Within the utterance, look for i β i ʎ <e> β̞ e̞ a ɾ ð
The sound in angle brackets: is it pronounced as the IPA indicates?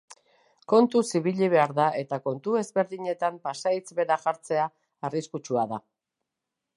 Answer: no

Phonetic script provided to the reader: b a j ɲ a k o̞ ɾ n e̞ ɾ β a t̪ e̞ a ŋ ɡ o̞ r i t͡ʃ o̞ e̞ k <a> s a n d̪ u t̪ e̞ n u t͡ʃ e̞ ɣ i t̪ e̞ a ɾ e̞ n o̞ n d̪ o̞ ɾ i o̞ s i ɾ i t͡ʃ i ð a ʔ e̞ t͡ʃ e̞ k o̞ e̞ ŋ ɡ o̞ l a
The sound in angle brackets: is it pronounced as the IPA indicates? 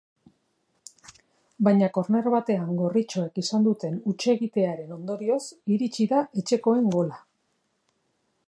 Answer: no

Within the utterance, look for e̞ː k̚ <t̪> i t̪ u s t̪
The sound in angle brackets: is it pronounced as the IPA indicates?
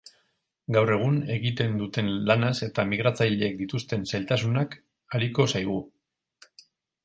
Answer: no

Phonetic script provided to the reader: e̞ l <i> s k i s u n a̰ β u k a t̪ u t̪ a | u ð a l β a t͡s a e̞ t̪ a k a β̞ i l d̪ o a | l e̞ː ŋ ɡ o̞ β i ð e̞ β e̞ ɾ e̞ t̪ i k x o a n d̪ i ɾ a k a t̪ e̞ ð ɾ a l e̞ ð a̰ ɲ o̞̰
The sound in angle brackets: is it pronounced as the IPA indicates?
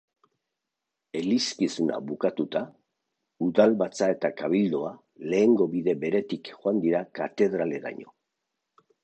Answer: yes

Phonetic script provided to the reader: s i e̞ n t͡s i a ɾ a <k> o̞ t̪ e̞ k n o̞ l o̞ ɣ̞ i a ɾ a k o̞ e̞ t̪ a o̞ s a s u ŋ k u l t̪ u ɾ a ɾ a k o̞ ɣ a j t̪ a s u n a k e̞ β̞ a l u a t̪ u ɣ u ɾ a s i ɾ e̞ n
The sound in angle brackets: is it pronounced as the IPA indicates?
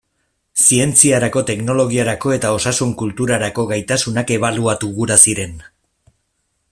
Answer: yes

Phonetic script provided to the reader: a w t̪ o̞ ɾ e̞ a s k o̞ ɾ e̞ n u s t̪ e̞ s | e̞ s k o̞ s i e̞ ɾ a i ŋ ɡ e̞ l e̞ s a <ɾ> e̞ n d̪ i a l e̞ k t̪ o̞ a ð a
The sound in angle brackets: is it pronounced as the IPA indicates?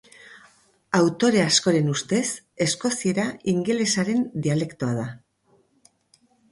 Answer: yes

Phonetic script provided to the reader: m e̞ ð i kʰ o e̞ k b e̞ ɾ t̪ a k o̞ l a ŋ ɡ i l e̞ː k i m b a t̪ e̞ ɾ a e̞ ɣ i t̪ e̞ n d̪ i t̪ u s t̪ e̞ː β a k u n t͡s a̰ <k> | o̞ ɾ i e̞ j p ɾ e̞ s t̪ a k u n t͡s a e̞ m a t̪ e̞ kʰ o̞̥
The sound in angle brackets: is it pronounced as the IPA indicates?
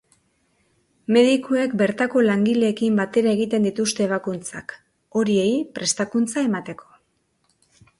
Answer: yes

